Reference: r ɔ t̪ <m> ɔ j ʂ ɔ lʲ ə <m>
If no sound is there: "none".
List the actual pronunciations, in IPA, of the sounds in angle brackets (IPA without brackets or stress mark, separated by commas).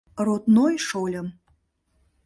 n, m